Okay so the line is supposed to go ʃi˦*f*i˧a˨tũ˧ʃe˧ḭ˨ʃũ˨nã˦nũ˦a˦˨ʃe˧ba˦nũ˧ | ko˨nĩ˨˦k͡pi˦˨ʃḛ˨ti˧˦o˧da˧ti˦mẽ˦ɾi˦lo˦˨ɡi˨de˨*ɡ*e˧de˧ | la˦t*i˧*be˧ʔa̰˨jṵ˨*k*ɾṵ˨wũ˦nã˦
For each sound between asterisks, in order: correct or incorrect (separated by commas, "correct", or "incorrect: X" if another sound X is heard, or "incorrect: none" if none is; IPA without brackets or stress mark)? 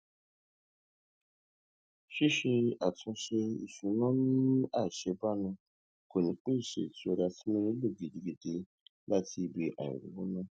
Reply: incorrect: ʃ, correct, correct, incorrect: none